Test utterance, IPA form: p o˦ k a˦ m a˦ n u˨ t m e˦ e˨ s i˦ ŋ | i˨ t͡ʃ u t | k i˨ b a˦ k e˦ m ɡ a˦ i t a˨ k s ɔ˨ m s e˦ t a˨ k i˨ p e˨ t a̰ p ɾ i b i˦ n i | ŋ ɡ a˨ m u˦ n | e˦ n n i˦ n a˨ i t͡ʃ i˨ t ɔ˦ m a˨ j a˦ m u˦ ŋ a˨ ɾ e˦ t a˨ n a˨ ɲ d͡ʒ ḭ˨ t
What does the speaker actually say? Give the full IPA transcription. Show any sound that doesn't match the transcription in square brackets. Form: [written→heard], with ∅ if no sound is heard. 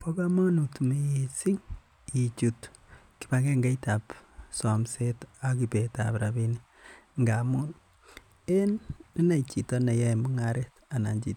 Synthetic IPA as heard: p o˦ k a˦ m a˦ n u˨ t m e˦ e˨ s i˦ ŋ | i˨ t͡ʃ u t | k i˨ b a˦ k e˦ [m→ŋ] ɡ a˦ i t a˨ [k→p] s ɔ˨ m s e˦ t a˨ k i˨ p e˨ t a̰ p ɾ [i→a] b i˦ n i | ŋ ɡ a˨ m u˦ n | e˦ n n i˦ n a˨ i t͡ʃ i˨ t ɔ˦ [m→n] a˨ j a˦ m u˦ ŋ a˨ ɾ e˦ t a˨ n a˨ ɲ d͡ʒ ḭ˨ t